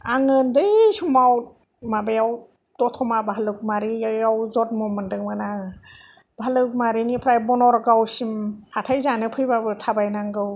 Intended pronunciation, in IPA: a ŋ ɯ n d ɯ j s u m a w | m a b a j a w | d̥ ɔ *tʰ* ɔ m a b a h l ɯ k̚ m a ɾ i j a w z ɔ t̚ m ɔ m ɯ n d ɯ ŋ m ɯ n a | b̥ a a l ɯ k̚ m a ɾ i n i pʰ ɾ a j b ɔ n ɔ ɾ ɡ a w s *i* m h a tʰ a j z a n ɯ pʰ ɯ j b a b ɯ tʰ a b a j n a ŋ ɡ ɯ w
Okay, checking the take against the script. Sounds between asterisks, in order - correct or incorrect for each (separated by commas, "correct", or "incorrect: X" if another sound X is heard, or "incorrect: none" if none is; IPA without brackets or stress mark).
correct, correct